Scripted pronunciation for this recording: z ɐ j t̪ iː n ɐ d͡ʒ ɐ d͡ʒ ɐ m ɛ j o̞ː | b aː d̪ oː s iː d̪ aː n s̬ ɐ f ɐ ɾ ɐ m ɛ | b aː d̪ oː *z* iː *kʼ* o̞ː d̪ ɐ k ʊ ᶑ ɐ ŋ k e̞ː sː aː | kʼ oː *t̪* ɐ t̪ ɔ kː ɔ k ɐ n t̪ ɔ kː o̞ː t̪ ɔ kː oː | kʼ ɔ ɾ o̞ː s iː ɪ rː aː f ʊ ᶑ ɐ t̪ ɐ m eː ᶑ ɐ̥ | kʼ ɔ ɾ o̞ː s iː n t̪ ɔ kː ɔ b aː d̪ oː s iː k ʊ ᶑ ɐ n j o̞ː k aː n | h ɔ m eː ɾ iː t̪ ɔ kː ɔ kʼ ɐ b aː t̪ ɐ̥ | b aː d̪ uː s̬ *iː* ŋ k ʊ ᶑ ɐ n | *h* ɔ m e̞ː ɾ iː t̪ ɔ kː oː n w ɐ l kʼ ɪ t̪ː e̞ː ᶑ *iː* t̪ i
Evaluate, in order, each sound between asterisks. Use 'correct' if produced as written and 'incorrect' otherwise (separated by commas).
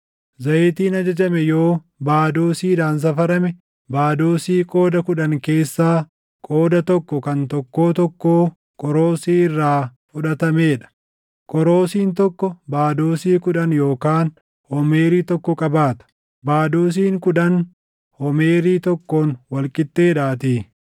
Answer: incorrect, correct, incorrect, correct, correct, incorrect